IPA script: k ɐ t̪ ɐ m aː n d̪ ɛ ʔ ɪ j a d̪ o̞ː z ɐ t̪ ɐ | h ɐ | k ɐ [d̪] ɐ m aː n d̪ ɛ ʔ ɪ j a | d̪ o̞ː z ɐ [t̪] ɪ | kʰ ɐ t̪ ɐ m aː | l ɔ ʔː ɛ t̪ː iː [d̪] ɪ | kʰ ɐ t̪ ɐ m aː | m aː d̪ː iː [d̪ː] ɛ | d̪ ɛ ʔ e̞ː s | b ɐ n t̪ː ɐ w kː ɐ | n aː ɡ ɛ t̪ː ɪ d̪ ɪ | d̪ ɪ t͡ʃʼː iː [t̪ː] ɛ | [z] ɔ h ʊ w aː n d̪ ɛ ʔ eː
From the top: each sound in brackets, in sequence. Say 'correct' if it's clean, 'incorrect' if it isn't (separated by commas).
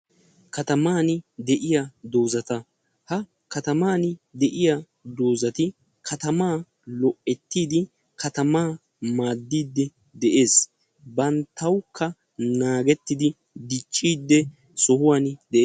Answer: incorrect, correct, correct, correct, incorrect, incorrect